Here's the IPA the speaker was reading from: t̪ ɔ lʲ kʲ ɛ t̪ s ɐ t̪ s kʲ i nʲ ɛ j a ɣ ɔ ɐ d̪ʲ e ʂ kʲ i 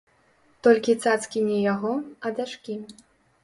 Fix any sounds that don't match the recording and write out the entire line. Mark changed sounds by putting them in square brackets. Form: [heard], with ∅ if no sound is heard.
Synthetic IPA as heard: t̪ ɔ lʲ kʲ [i] t̪ s [a] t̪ s kʲ i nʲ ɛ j a ɣ ɔ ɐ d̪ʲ [a] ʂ kʲ i